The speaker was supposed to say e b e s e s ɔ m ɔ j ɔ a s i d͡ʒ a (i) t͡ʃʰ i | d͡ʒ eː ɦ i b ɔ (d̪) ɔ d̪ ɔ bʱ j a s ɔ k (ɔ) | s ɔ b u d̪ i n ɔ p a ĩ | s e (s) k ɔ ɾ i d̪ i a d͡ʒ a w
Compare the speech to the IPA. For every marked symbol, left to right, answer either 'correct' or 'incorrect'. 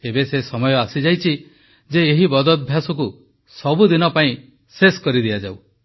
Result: incorrect, correct, incorrect, correct

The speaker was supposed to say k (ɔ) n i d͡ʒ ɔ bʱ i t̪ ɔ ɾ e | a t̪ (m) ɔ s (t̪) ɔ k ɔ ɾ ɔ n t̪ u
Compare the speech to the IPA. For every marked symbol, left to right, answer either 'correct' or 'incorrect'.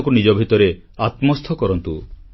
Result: incorrect, correct, incorrect

